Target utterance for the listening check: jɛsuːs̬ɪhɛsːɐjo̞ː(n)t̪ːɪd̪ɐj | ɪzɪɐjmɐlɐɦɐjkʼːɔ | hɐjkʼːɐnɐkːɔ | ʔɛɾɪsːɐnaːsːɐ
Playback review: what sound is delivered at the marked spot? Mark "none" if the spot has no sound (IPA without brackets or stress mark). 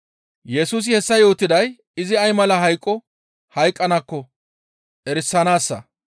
none